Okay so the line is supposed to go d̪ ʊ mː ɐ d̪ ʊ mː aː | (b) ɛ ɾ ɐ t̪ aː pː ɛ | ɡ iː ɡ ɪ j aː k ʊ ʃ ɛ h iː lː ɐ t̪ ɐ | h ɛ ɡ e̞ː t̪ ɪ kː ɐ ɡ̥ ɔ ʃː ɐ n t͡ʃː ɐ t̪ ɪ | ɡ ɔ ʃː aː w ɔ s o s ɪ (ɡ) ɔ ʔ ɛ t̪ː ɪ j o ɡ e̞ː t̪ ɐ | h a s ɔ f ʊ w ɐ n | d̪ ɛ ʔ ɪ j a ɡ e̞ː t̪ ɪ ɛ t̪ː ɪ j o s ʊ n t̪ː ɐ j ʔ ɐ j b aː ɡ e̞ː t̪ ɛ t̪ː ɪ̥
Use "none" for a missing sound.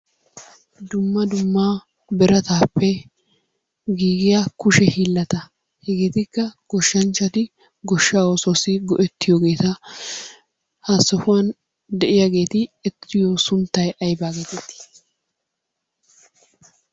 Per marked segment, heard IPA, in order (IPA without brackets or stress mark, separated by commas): b, ɡ